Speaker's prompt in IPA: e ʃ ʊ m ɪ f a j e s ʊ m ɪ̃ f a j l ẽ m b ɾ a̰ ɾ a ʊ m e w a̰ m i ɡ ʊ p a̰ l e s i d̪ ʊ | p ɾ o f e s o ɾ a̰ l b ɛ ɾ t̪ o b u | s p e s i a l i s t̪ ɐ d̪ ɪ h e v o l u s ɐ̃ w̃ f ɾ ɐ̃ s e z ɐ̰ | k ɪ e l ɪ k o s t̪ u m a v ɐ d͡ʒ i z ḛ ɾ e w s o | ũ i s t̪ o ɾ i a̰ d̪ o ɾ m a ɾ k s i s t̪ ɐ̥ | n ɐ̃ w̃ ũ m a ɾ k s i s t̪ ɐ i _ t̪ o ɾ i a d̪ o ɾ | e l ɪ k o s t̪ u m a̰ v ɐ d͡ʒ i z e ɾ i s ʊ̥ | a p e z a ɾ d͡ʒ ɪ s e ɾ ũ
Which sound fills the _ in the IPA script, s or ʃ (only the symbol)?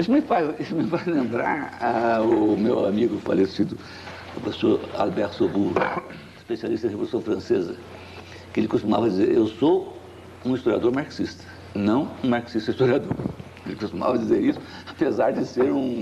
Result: s